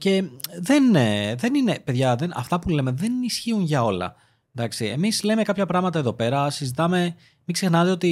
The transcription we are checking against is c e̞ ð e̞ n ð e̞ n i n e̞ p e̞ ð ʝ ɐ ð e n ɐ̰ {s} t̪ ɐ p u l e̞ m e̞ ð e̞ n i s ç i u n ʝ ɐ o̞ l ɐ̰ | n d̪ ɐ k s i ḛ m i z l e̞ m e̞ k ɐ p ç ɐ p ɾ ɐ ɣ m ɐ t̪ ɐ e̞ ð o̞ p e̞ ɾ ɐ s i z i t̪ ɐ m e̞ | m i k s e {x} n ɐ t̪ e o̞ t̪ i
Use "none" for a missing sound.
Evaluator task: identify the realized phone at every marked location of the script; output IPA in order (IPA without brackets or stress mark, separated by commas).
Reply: f, x